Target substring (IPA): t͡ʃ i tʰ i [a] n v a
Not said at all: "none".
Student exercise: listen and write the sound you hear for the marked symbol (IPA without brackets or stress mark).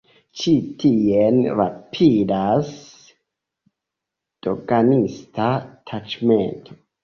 e